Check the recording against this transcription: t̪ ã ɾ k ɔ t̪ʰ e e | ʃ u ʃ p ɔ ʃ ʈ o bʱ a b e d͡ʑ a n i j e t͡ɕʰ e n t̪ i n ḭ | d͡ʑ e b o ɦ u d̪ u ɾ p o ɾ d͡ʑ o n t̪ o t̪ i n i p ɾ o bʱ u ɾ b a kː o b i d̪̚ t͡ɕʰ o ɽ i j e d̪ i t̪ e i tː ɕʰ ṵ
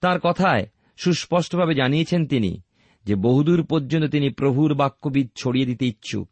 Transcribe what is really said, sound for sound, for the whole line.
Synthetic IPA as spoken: t̪ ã ɾ k ɔ t̪ʰ a e | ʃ u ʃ p ɔ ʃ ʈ o bʱ a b e d͡ʑ a n i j e t͡ɕʰ e n t̪ i n ḭ | d͡ʑ e b o ɦ u d̪ u ɾ p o ɾ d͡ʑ o n t̪ o t̪ i n i p ɾ o bʱ u ɾ b a kː o b i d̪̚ t͡ɕʰ o ɽ i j e d̪ i t̪ e i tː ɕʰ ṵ